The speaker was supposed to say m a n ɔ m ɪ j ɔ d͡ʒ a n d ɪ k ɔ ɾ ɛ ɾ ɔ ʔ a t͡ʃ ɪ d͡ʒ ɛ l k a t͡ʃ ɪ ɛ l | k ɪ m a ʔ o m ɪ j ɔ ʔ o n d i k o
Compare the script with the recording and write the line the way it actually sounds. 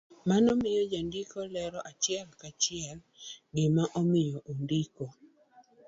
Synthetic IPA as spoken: m a n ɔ m ɪ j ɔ d͡ʒ a n d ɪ k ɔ l ɛ ɾ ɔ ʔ a t͡ʃ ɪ ɛ l k a t͡ʃ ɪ ɛ l | ɡ ɪ m a ʔ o m ɪ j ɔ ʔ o n d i k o